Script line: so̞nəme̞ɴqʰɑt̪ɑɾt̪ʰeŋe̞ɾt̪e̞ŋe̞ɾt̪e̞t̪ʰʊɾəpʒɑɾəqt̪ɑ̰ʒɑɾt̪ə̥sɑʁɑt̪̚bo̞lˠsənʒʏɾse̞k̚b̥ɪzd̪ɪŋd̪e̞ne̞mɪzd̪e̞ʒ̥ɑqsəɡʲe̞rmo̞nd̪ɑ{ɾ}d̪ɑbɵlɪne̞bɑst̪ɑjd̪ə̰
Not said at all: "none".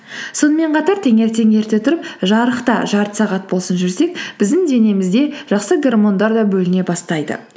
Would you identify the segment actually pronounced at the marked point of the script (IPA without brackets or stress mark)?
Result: ɾ